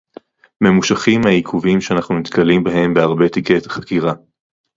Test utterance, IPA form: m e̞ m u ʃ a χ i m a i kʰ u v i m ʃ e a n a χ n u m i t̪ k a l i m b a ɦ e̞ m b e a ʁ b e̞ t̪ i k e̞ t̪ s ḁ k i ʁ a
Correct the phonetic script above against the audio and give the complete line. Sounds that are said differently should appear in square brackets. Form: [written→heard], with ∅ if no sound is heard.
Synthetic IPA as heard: m e̞ m u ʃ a χ i m a i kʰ u v i m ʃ e a n a χ n u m i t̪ k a l i m b a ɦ e̞ m b e a ʁ b e̞ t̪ i k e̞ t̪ [s→χ] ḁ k i ʁ a